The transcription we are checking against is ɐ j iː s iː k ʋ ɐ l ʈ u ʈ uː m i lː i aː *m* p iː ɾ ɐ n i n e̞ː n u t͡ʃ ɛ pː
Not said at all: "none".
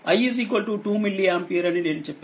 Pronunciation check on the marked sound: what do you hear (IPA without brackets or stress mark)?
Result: m